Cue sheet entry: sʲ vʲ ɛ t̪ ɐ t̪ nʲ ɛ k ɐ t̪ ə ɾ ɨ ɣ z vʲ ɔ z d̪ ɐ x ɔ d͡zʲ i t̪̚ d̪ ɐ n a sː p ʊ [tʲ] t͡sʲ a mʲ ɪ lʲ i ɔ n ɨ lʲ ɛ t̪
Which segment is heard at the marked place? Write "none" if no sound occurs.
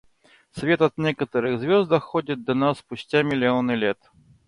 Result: sʲ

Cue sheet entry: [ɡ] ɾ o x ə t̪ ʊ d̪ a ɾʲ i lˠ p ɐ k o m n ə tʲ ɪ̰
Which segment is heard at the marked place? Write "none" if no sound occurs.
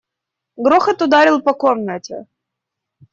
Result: ɡ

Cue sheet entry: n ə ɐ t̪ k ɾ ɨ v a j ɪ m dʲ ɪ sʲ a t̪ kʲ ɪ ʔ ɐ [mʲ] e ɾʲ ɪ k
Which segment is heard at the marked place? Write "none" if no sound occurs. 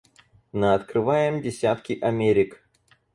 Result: mʲ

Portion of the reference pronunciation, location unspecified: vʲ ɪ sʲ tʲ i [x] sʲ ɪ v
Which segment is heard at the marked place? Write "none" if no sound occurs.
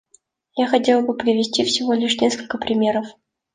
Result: f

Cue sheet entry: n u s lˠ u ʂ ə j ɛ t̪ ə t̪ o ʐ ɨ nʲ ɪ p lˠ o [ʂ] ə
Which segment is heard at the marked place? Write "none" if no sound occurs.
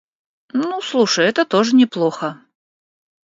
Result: x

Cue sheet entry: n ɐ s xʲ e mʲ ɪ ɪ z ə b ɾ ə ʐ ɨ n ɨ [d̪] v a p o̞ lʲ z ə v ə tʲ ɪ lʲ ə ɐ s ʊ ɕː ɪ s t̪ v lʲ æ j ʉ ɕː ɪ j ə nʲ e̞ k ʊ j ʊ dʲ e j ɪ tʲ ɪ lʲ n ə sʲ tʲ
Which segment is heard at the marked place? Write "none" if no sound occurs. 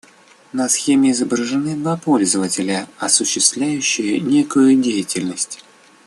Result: d̪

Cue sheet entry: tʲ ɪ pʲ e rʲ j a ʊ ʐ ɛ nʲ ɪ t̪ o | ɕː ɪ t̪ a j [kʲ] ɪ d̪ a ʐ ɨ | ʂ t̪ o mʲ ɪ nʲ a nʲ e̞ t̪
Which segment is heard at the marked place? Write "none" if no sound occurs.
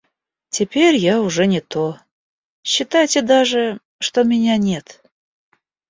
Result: tʲ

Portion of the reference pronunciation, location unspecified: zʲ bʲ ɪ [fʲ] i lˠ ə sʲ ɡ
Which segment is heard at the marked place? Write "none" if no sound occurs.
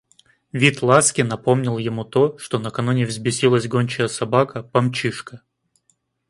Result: sʲ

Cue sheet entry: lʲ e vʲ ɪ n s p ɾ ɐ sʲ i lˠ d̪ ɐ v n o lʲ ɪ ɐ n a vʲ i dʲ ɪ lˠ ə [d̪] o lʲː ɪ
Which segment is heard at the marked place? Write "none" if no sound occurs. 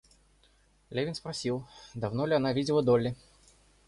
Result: d̪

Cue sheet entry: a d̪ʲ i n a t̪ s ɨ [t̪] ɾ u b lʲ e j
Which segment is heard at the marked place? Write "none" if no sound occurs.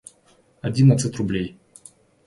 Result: t̪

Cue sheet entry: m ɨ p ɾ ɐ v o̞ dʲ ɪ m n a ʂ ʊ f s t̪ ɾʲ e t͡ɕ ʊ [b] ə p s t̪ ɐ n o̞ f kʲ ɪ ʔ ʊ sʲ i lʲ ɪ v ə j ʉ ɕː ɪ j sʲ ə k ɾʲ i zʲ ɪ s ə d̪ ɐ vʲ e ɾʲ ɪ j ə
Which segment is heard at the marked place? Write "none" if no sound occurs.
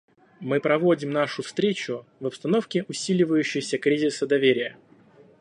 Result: v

